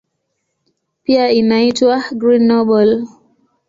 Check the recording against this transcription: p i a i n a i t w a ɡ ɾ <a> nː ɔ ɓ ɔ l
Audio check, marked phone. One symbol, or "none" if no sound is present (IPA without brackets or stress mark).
i